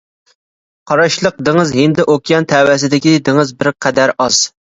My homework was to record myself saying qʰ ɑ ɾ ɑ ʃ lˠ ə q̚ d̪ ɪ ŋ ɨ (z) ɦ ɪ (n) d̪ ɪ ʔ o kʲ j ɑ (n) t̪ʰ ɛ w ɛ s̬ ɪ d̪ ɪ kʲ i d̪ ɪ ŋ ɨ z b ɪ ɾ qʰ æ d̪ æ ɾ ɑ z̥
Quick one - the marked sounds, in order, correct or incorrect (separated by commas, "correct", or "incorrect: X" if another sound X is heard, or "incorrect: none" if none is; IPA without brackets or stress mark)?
correct, correct, correct